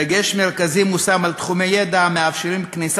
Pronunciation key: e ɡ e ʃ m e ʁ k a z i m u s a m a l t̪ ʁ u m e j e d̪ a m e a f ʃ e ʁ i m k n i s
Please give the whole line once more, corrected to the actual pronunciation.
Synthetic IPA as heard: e ɡ e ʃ m e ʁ k a z i m u s a m a l t̪ χ u m e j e d̪ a m e a f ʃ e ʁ i m k n i s